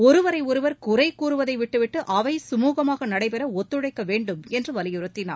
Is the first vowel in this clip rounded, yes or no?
yes